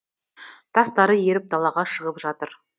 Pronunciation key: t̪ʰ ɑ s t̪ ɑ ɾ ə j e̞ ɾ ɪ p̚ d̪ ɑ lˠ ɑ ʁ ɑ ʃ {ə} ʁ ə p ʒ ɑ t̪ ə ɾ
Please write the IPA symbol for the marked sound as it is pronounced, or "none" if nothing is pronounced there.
ə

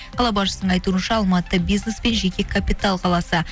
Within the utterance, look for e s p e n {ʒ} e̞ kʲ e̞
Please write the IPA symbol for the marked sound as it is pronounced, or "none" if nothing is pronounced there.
ʒ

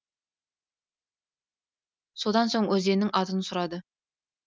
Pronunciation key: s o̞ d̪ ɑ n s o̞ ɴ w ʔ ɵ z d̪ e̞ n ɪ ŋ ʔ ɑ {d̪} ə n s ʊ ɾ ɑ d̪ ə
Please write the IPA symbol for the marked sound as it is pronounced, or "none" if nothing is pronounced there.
t̪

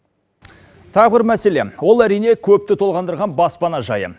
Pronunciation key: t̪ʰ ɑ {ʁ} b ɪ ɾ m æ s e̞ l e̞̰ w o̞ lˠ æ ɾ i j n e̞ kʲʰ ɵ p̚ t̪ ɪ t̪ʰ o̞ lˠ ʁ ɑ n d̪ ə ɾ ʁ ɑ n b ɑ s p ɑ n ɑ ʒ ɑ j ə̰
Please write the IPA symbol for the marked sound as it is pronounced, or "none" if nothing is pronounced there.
ʁ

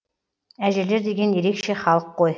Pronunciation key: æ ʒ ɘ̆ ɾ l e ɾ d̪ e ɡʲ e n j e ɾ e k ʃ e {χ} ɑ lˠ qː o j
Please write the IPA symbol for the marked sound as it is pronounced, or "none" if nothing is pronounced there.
χ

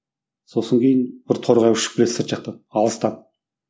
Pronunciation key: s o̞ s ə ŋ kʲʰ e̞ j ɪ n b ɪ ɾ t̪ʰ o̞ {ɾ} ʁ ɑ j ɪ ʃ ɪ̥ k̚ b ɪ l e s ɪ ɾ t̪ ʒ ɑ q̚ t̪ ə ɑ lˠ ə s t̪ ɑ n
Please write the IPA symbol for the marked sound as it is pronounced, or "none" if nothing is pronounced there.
ɾ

